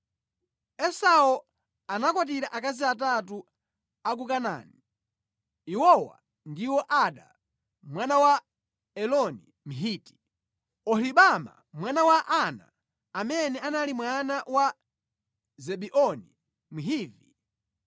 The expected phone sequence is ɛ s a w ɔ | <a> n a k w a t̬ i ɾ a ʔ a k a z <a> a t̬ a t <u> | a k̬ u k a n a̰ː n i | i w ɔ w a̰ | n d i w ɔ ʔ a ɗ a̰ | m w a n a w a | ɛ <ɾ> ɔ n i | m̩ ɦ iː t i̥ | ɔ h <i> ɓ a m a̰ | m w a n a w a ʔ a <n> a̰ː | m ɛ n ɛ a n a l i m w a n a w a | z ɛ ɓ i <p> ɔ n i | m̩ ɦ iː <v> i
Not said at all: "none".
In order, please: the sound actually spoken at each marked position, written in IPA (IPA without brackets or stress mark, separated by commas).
a, i, u, l, i, n, ʔ, v